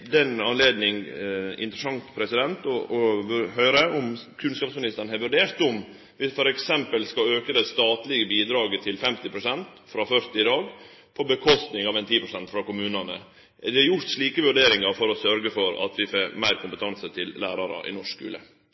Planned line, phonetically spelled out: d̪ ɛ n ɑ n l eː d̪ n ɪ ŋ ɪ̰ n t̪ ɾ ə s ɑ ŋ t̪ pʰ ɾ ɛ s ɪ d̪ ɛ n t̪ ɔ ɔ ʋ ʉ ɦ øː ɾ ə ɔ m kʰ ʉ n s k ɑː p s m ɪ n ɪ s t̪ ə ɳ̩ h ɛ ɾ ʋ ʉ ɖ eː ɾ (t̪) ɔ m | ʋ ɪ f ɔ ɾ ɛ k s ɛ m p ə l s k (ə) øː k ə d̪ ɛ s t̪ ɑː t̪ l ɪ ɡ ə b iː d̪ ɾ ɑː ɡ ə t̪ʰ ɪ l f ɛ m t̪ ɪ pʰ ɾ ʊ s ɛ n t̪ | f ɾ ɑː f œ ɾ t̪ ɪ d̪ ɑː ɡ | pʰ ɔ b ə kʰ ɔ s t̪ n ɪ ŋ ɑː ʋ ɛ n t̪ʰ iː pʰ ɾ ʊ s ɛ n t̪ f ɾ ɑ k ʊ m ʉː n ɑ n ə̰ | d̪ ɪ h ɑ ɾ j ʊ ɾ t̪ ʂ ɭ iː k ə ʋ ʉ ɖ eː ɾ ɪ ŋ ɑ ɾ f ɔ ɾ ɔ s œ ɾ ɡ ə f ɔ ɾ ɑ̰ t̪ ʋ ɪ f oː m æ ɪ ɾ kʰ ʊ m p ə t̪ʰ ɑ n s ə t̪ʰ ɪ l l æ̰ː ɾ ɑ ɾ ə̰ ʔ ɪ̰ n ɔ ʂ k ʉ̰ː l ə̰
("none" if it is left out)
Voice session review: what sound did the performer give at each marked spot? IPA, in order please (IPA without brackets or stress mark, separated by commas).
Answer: t̪, ɑ